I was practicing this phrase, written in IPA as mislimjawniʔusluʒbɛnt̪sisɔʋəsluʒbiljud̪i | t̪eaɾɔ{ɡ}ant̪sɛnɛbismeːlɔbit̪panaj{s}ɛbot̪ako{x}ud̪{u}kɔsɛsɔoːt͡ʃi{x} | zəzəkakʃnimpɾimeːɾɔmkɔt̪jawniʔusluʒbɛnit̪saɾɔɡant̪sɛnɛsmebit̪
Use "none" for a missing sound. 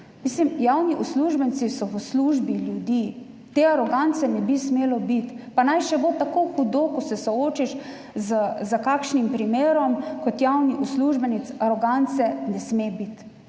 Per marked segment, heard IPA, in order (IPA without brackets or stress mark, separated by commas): ɡ, ʃ, x, o, ʃ